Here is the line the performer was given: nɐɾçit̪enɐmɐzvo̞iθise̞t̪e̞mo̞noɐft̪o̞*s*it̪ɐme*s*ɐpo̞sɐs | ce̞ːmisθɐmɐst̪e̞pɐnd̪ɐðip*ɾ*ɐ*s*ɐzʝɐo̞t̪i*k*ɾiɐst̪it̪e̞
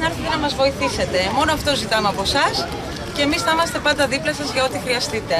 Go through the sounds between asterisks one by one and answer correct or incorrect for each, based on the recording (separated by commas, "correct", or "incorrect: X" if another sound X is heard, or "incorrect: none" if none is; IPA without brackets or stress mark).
incorrect: z, incorrect: none, incorrect: l, correct, incorrect: x